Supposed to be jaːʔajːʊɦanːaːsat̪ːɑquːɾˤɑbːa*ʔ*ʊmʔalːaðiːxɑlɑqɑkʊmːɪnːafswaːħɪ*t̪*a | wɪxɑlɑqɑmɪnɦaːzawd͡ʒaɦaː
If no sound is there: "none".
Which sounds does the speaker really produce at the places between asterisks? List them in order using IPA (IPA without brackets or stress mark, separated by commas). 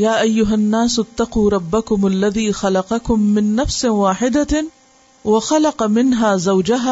k, d̪